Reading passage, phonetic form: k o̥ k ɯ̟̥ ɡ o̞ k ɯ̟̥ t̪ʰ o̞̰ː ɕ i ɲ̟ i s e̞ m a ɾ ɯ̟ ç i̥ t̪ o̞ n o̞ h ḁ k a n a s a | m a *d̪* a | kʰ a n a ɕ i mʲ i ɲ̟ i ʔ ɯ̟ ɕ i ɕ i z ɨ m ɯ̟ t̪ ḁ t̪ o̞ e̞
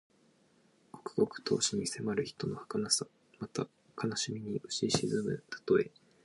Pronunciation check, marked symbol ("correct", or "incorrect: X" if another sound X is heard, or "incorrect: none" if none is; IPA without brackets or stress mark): incorrect: t̪